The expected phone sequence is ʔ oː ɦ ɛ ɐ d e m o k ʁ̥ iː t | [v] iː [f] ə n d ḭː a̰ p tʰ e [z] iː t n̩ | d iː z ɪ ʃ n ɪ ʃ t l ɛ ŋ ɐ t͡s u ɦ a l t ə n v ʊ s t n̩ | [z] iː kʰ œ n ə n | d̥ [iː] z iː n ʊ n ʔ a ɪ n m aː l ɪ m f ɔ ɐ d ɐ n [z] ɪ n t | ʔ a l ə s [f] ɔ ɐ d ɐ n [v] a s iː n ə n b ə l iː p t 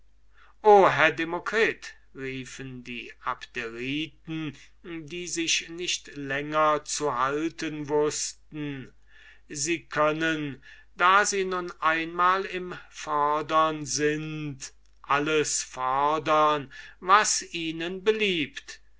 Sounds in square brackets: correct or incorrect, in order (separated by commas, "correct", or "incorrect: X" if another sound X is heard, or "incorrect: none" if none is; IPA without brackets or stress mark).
incorrect: ʁ, correct, incorrect: ʁ, correct, incorrect: aː, correct, correct, correct